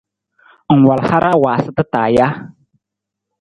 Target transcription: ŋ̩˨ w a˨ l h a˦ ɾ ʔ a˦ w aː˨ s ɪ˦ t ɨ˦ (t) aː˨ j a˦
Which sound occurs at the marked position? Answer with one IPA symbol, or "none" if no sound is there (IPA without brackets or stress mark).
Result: t